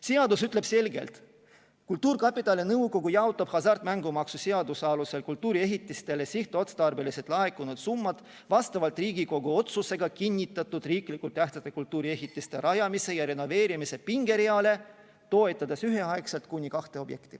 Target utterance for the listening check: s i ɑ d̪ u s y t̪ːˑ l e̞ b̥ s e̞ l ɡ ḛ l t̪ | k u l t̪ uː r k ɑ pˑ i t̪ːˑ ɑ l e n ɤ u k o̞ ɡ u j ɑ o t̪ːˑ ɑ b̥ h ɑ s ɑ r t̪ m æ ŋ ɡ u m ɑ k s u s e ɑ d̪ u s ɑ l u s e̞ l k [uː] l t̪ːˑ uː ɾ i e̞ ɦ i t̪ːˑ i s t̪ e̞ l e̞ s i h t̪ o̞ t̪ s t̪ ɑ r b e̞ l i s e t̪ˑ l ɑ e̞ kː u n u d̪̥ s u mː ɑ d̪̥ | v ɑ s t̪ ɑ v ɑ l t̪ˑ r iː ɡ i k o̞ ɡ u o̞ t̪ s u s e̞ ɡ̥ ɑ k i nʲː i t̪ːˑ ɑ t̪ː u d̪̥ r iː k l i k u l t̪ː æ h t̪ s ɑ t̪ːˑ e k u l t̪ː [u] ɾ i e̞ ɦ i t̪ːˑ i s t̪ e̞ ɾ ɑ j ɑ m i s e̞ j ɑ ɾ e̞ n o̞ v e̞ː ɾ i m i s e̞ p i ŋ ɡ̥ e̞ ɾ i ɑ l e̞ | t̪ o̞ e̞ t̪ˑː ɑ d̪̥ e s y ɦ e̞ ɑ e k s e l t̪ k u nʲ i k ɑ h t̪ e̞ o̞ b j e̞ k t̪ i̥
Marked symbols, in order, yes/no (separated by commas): no, no